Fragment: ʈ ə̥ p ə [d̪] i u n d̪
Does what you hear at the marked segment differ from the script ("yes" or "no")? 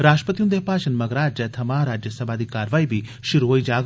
yes